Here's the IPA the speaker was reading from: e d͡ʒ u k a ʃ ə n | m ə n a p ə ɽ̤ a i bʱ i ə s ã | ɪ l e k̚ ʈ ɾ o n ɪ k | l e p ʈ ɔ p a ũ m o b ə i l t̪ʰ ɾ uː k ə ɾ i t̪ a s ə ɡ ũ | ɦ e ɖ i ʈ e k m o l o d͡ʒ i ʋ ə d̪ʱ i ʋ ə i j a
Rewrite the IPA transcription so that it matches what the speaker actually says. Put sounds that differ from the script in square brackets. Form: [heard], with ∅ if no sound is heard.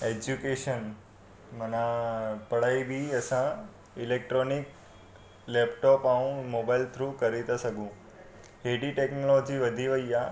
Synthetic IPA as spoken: e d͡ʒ u k [e] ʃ ə n | m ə n a p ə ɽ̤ a i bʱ i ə s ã | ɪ l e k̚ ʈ ɾ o n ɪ k | l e p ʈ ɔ p a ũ m o b [a] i l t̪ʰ ɾ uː k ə ɾ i t̪ a s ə ɡ ũ | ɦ e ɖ i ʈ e k [n] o l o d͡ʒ i ʋ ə d̪ʱ i ʋ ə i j a

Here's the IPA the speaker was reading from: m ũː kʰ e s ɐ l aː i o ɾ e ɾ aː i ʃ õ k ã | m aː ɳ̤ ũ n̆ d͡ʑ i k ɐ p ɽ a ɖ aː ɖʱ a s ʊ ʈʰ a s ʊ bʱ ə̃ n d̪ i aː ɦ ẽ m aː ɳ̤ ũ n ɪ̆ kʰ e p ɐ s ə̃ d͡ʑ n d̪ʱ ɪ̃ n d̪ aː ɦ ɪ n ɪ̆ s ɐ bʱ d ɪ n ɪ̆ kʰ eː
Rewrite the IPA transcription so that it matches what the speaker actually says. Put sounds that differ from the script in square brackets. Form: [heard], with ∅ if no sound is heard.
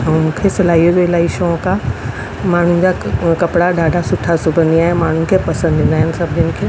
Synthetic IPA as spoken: m ũː kʰ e s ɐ l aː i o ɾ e [l] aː i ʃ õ k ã | m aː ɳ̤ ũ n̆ d͡ʑ [a] k ɐ p ɽ a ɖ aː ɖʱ a s ʊ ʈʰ a s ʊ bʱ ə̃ n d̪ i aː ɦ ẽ m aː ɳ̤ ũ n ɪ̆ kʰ e p ɐ s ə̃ [∅] n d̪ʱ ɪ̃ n d̪ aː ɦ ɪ n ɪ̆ s ɐ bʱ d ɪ n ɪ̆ kʰ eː

